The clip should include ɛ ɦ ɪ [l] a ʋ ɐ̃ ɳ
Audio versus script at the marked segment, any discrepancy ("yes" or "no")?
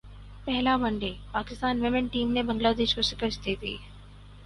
no